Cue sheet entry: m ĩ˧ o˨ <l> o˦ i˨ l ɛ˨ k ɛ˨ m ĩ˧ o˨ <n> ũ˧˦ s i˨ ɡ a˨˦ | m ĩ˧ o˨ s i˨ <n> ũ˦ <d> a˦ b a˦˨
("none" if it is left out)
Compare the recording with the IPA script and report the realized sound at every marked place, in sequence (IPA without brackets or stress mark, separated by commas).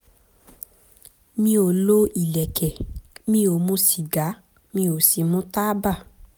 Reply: l, m, m, t